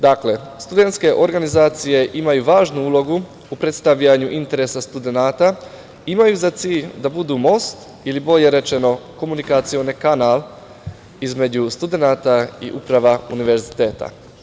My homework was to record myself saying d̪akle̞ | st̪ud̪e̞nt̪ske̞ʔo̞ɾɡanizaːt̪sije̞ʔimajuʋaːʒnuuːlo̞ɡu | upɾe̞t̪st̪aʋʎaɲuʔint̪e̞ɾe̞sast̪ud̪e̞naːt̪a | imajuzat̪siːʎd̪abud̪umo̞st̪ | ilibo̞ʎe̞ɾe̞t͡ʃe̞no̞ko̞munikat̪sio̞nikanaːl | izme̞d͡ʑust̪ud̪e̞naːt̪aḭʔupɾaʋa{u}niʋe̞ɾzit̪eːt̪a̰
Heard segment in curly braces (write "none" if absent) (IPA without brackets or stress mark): u